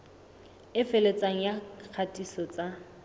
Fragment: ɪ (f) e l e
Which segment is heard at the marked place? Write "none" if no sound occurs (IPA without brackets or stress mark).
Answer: f